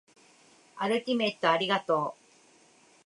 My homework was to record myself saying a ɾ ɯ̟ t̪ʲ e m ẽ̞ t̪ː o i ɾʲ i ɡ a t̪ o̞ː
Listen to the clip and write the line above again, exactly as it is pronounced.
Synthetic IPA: a ɾ ɯ̟ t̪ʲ i m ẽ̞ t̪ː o a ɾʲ i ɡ a t̪ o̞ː

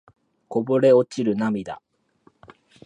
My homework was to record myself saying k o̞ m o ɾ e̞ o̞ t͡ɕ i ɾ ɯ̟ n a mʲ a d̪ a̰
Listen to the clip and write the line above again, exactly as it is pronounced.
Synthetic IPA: k o̞ b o ɾ e̞ o̞ t͡ɕ i ɾ ɯ̟ n a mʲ i d̪ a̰

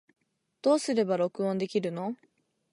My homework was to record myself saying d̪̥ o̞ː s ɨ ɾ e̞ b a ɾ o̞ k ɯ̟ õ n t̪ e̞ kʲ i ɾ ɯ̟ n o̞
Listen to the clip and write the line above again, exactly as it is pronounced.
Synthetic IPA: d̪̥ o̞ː s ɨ ɾ e̞ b a ɾ o̞ k ɯ̟ õ n d̪ e̞ kʲ i ɾ ɯ̟ n o̞

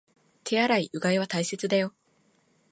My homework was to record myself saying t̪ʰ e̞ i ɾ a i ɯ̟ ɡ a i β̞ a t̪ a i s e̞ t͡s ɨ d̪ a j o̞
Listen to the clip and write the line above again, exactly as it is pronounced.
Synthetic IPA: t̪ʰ e̞ a ɾ a i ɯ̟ ɡ a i β̞ a t̪ a i s e̞ t͡s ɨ d̪ a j o̞

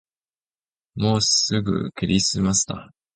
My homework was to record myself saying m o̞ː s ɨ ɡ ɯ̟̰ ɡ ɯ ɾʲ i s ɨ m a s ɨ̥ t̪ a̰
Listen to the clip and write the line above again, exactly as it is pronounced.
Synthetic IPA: m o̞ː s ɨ ɡ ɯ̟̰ k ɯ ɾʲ i s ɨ m a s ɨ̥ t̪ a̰

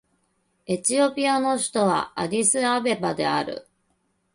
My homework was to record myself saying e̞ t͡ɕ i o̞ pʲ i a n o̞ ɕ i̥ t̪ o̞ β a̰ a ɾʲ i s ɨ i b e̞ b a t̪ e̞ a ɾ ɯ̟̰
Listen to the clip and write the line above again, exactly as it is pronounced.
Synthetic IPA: e̞ t͡ɕ i o̞ pʲ i a n o̞ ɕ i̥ t̪ o̞ β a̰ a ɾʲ i s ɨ a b e̞ b a d̪ e̞ a ɾ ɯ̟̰

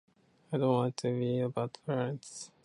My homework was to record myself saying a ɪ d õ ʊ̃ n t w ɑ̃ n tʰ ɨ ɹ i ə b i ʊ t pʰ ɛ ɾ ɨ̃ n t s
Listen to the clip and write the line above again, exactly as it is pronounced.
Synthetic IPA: a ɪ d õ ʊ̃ n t w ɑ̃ n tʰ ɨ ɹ i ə b a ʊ t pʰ ɛ ɹ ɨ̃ n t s

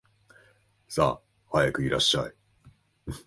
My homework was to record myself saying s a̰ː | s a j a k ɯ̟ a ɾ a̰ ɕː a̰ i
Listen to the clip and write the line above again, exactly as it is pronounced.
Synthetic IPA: s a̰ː | h a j a k ɯ̟ i ɾ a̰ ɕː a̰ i

